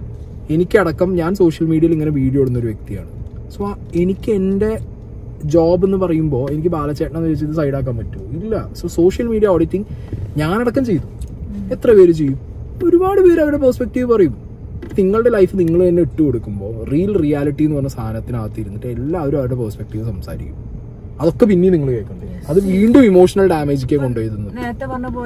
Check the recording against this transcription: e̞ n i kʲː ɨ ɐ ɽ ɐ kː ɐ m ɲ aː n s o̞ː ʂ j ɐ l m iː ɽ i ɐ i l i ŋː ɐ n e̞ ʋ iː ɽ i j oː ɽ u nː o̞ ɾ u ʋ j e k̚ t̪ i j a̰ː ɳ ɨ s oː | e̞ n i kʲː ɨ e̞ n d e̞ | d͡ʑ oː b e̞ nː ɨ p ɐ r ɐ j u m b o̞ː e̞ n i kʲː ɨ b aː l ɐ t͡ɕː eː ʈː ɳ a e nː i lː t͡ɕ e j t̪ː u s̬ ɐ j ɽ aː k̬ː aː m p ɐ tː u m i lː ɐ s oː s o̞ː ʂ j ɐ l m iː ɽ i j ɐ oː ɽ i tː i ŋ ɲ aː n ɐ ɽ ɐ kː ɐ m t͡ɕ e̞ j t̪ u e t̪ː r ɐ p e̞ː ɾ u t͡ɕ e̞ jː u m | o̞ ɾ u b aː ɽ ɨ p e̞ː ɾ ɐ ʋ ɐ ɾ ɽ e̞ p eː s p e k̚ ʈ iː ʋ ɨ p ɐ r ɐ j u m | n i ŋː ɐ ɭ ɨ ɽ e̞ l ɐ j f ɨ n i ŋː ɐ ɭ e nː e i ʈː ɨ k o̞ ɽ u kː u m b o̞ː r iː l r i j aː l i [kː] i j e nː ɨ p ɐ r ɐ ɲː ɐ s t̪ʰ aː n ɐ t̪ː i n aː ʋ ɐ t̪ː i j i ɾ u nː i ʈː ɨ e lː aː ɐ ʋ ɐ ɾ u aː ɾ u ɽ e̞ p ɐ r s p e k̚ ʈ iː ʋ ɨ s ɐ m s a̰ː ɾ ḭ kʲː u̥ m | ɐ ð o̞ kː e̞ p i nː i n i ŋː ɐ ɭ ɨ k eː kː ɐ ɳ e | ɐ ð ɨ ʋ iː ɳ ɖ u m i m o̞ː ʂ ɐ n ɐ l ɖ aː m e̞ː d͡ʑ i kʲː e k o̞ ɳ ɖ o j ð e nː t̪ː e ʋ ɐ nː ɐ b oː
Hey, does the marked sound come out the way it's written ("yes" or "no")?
no